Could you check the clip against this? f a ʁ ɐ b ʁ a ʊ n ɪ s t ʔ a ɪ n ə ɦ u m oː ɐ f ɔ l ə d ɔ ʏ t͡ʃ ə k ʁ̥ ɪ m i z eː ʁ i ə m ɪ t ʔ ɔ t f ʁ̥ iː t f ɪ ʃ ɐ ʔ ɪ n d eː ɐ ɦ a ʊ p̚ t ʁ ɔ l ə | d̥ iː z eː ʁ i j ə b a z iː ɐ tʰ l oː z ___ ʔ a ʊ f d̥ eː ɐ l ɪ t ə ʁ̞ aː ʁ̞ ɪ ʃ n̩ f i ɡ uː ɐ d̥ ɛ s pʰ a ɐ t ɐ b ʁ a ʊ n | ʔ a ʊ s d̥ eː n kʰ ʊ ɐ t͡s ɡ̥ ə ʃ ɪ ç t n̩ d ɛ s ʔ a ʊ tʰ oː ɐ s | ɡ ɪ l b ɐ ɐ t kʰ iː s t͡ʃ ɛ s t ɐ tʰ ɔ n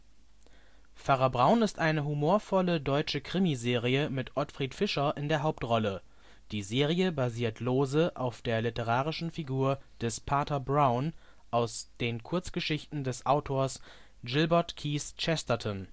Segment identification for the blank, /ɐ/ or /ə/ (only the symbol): ə